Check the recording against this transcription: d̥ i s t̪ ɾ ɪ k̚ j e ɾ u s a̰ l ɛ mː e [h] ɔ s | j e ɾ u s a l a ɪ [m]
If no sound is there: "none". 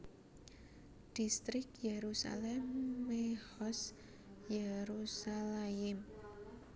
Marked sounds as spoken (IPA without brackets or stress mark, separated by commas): h, m